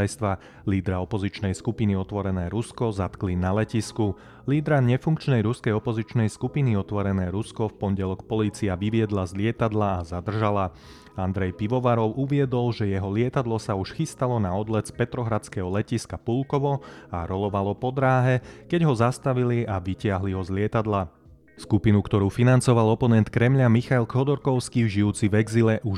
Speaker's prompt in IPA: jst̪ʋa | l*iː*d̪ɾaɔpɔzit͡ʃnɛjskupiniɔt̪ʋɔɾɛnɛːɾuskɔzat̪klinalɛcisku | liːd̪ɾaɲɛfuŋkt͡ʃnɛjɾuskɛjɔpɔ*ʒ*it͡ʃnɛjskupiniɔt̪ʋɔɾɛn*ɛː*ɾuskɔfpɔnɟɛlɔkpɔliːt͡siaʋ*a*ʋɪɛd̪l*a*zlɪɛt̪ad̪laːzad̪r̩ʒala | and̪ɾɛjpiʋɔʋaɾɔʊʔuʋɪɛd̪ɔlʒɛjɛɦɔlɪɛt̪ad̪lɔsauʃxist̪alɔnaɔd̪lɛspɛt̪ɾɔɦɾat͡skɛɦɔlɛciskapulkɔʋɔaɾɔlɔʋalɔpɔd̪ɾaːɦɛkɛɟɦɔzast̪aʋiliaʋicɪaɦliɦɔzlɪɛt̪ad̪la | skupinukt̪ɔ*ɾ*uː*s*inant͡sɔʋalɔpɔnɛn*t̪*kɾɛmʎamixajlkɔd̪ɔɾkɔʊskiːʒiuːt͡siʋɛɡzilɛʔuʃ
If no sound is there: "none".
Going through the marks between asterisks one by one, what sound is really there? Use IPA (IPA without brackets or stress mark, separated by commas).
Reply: iː, z, ɛː, i, a, ɾ, f, t̪